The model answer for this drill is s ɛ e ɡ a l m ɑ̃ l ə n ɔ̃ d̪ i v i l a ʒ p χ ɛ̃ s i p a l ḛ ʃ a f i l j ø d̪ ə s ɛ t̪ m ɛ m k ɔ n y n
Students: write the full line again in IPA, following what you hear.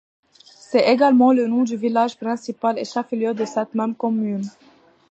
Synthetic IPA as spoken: s ɛ e ɡ a l m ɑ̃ l ə n ɔ̃ d̪ y v i l a ʒ p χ ɛ̃ s i p a l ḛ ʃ a f i l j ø d̪ ə s ɛ t̪ m ɛ m k ɔ m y n